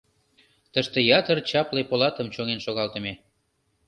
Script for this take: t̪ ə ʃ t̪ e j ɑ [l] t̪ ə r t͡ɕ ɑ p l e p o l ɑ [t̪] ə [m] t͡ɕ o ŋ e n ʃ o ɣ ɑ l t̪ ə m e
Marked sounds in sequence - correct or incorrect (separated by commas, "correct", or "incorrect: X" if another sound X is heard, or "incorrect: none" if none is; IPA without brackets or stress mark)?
incorrect: none, correct, correct